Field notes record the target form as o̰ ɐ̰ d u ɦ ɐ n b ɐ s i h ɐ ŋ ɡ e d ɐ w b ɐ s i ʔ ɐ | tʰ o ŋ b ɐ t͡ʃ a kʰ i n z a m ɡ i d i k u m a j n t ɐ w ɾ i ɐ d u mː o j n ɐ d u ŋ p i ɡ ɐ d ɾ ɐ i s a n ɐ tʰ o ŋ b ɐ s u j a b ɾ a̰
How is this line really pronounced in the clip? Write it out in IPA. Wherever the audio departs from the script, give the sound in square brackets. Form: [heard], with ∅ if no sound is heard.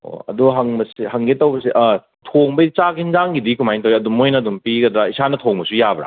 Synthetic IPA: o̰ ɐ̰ d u ɦ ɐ [ŋ] b ɐ s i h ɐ ŋ ɡ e [t] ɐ w b ɐ s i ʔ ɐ | tʰ o ŋ b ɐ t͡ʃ a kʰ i n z a [ŋ] ɡ i d i k u m a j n t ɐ w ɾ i ɐ d u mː o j n ɐ d u [m] p i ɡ ɐ d ɾ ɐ i s a n ɐ tʰ o ŋ b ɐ s u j a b ɾ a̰